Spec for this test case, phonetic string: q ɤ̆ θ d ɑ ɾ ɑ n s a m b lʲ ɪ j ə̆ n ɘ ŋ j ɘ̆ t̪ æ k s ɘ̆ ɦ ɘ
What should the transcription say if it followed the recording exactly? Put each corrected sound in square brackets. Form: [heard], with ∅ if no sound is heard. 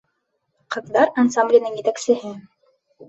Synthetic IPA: q ɤ̆ [ð] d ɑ ɾ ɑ n s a m b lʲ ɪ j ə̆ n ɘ ŋ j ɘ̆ t̪ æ k s ɘ̆ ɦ ɘ

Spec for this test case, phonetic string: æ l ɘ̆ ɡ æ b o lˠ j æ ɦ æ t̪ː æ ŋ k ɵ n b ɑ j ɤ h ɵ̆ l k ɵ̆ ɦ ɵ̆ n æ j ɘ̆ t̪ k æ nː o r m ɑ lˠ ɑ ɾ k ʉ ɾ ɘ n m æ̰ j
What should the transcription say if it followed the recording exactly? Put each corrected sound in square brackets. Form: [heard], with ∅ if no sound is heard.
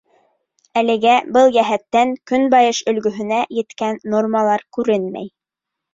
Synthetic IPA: æ l ɘ̆ ɡ æ b [ɤ] lˠ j æ ɦ æ t̪ː æ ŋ k ɵ n b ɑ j ɤ [ʃ] ɵ̆ l [ɡ] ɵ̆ ɦ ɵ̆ n æ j ɘ̆ t̪ k æ nː o r m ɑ lˠ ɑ ɾ k ʉ ɾ ɘ n m æ̰ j

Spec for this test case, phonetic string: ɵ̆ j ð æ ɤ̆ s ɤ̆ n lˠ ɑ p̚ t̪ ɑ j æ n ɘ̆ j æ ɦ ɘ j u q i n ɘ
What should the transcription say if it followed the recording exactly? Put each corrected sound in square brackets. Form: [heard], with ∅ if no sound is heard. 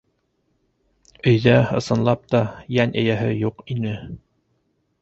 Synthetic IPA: ɵ̆ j ð æ ɤ̆ s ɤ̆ n lˠ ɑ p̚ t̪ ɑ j æ n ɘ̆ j æ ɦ ɘ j u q i n ɘ

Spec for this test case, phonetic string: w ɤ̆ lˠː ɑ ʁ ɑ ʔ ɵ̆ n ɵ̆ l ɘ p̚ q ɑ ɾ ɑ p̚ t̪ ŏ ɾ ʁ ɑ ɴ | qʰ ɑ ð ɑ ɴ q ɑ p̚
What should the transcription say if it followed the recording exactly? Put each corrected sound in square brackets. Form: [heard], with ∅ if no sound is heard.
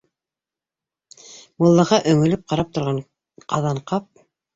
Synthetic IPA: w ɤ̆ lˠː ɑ ʁ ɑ ʔ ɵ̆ [ŋ] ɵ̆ l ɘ p̚ q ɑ ɾ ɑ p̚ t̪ ŏ ɾ ʁ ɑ ɴ | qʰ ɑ ð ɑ ɴ q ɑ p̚

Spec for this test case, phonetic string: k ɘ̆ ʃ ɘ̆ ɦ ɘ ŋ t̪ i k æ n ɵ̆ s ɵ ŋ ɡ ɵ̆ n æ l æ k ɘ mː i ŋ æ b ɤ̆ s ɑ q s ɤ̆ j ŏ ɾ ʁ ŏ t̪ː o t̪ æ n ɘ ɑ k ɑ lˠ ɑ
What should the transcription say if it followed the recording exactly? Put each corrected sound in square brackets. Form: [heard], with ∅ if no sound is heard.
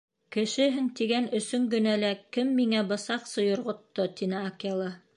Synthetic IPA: k ɘ̆ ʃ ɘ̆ ɦ ɘ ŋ t̪ i [ɡ] æ n ɵ̆ s ɵ ŋ ɡ ɵ̆ n æ l æ k ɘ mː i ŋ æ b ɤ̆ s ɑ q s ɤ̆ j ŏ ɾ ʁ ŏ t̪ː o t̪ [i] n ɘ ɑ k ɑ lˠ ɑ

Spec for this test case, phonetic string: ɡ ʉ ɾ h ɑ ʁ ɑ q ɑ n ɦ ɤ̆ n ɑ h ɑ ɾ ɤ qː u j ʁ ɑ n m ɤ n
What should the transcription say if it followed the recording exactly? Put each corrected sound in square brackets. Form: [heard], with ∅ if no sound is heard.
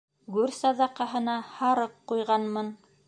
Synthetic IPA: ɡ ʉ ɾ [s] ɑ [ð] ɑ q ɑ [∅] ɦ ɤ̆ n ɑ h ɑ ɾ ɤ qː u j ʁ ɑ n m ɤ n

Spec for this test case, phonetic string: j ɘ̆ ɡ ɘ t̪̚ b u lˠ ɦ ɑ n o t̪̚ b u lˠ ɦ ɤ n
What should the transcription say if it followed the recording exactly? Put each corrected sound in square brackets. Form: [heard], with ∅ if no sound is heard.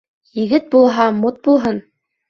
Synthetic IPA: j ɘ̆ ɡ ɘ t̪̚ b u lˠ ɦ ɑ [m] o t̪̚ b u lˠ ɦ ɤ n

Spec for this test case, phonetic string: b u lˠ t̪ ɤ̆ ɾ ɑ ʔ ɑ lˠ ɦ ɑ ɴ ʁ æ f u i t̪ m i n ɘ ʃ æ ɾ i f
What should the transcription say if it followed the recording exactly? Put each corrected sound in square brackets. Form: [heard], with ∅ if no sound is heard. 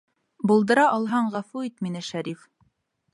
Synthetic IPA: b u lˠ [d̪] ɤ̆ ɾ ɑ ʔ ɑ lˠ ɦ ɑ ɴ ʁ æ f u i t̪ m i n ɘ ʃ æ ɾ i f

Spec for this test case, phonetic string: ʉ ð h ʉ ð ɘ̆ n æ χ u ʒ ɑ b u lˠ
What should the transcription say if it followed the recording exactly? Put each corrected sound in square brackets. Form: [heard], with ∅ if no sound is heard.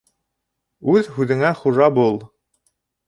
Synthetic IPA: ʉ ð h ʉ ð ɘ̆ [ŋ] æ χ u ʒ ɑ b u lˠ

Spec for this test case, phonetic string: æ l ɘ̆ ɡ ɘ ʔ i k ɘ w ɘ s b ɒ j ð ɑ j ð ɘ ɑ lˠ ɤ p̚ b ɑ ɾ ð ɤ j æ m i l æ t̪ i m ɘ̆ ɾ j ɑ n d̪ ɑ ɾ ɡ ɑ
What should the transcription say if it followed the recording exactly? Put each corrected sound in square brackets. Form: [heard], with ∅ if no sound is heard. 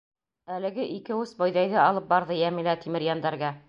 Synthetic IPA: æ l ɘ̆ ɡ ɘ ʔ i k ɘ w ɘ s b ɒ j ð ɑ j ð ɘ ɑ lˠ ɤ p̚ b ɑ ɾ ð ɤ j æ m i l æ t̪ i m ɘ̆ ɾ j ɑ n d̪ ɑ ɾ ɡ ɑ

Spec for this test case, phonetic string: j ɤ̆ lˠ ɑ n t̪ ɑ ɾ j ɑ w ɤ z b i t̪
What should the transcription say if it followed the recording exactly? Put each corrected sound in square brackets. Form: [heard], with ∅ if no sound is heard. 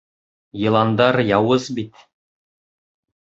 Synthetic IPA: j ɤ̆ lˠ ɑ n [d̪] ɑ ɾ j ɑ w ɤ z b i t̪

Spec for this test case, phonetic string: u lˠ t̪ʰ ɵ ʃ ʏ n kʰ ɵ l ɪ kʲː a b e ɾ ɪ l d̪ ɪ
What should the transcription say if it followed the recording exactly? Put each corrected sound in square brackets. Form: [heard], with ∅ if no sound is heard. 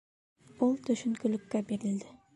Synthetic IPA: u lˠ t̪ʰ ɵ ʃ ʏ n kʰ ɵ l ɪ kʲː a b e ɾ ɪ l d̪ ɪ

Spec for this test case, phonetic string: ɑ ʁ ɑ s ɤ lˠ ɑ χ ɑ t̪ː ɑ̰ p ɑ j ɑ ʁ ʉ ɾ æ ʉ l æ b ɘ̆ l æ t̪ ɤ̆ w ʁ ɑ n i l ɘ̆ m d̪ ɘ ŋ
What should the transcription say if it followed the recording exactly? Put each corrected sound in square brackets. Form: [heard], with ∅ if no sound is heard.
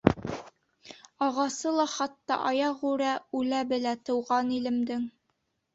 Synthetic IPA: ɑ ʁ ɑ s ɤ lˠ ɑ χ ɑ t̪ː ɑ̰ [ʔ] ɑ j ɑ ʁ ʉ ɾ æ ʉ l æ b ɘ̆ l æ t̪ ɤ̆ w ʁ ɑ n i l ɘ̆ m d̪ ɘ ŋ

